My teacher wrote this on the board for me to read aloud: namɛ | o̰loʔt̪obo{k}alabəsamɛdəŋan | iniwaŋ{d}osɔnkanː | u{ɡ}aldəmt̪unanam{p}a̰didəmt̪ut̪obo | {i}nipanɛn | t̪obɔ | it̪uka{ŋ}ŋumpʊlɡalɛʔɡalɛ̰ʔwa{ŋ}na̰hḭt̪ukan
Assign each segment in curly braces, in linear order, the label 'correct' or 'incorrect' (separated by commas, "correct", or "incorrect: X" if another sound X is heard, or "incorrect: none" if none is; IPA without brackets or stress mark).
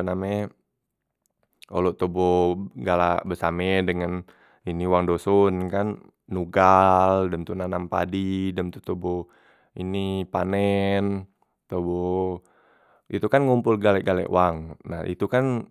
incorrect: ɡ, correct, correct, correct, correct, incorrect: n, correct